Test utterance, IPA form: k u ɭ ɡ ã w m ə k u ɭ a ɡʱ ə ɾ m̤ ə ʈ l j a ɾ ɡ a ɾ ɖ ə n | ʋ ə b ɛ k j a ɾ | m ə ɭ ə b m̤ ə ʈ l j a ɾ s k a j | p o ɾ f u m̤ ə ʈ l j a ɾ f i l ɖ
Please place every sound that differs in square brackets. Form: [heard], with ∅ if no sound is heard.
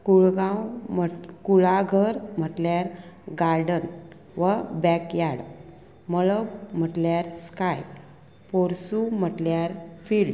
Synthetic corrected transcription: k u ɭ ɡ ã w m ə k u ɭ a ɡʱ ə ɾ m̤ ə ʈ l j a ɾ ɡ a ɾ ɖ ə n | ʋ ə b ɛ k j a [ɽ] | m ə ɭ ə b m̤ ə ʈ l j a ɾ s k a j | p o ɾ [s] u m̤ ə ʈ l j a ɾ f i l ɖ